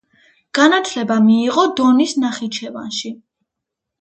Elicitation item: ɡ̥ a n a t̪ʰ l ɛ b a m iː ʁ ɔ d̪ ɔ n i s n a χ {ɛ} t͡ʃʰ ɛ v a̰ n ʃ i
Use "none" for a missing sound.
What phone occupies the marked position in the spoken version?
i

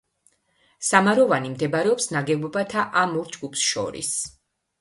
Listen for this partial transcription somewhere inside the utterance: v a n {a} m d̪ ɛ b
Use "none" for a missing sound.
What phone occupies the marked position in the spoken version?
i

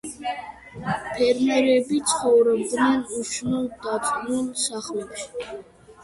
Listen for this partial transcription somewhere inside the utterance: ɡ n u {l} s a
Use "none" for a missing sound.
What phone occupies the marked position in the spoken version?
l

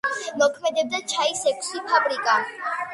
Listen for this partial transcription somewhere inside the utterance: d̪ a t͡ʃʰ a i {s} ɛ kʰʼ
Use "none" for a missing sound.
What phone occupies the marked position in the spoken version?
s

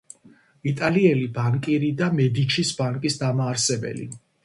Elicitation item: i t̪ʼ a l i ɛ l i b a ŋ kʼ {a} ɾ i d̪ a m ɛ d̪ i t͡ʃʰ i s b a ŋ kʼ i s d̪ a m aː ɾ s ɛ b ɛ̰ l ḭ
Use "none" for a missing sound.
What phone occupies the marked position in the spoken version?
i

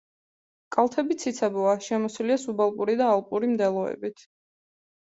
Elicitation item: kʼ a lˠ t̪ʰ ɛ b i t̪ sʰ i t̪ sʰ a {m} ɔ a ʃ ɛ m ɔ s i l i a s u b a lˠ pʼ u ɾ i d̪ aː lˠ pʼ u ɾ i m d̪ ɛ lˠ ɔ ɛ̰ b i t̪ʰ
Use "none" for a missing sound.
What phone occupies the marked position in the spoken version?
b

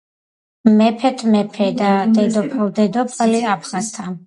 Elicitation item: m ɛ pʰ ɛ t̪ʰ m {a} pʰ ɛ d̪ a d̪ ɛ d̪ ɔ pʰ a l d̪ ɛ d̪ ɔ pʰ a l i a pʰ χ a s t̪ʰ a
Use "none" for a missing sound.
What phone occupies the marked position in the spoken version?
ɛ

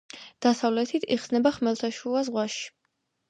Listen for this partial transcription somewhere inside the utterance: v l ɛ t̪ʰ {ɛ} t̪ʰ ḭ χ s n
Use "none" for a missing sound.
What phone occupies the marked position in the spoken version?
i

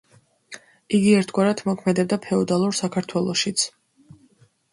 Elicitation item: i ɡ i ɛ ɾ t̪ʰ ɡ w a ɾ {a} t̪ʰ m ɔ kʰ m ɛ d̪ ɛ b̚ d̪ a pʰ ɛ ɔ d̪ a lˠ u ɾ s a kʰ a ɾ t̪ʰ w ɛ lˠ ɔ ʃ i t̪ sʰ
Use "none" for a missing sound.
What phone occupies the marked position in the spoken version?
a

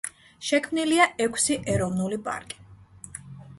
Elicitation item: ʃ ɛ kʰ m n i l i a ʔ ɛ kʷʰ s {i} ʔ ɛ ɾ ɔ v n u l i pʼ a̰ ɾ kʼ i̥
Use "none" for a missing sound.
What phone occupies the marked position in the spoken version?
i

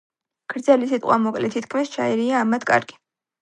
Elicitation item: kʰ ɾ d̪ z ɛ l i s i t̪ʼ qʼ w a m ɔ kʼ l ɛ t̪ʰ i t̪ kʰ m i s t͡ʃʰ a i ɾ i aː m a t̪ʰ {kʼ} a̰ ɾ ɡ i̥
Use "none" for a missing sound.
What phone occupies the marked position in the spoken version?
kʼ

